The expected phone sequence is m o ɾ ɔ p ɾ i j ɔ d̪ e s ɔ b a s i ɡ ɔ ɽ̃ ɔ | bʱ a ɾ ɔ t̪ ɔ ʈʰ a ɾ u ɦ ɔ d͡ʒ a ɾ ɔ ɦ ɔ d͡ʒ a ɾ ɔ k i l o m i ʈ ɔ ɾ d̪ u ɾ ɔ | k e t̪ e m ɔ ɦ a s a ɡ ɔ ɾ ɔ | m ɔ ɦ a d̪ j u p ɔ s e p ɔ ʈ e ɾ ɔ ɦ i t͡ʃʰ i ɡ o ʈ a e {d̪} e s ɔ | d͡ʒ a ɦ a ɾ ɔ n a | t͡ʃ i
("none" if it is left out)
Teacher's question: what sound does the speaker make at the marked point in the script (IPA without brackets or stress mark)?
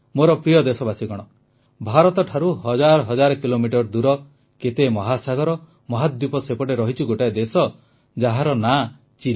d̪